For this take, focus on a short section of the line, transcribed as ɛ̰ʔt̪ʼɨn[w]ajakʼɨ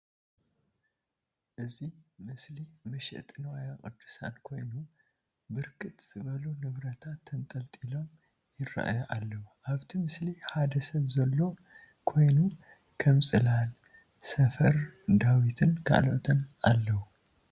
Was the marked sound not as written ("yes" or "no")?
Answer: no